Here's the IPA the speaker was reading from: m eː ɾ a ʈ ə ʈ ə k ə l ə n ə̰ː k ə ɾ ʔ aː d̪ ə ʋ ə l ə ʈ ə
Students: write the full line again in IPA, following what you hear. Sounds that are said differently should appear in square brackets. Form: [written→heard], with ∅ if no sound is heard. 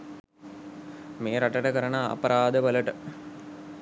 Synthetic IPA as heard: m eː ɾ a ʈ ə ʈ ə k ə [l→ɾ] ə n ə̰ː [k→p] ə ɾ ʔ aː d̪ ə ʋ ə l ə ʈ ə